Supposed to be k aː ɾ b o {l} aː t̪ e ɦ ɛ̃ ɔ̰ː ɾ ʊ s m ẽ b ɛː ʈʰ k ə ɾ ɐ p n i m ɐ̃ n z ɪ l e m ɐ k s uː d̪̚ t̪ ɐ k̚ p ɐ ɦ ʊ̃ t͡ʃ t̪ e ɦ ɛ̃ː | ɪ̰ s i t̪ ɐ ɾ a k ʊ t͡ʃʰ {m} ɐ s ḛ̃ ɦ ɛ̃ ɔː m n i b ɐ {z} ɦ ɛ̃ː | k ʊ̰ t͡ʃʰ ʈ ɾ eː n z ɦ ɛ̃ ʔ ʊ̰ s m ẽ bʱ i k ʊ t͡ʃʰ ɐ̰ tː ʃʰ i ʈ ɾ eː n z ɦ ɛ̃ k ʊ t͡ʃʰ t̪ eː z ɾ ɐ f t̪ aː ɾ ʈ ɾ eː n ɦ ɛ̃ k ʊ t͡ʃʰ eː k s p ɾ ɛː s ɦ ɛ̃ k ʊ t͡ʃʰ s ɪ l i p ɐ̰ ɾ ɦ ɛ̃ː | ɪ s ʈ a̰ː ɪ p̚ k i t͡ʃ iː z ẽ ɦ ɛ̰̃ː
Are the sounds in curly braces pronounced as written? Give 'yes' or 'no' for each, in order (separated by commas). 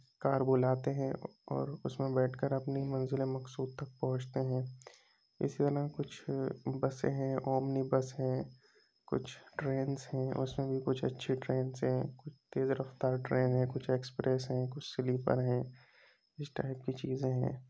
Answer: yes, no, no